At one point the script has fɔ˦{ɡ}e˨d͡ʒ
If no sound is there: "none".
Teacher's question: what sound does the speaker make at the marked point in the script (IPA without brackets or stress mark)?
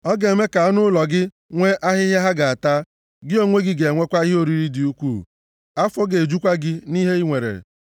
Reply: ɡ